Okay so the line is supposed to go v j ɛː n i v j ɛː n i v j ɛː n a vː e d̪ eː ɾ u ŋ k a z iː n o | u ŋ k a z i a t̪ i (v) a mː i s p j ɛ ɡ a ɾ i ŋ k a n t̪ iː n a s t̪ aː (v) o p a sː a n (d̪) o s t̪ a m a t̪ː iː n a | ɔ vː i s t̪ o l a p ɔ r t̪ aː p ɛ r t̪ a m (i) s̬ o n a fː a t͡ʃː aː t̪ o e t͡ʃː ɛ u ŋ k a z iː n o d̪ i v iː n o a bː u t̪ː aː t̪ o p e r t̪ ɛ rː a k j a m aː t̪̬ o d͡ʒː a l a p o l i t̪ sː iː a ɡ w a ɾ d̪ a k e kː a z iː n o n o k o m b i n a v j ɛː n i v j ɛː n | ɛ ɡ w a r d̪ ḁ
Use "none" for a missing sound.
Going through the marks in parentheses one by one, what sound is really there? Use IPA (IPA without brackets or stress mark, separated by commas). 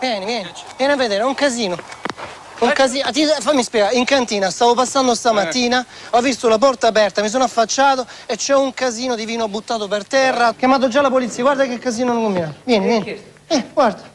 f, v, d̪, i